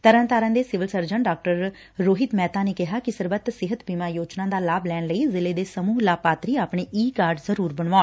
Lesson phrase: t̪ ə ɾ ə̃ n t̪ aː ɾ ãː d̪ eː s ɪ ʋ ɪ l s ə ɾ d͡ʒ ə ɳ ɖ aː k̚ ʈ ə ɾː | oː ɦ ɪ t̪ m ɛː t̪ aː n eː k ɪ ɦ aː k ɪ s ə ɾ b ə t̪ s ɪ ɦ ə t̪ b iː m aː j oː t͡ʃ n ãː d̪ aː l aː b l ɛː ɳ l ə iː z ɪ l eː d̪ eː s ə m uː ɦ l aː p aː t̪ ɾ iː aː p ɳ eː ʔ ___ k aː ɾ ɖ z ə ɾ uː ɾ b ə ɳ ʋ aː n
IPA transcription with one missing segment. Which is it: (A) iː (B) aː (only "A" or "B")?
A